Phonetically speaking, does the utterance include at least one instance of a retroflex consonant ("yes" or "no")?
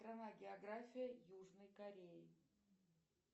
yes